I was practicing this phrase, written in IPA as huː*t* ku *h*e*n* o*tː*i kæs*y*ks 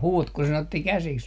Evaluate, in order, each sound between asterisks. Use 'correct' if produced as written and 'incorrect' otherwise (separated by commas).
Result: correct, incorrect, correct, correct, incorrect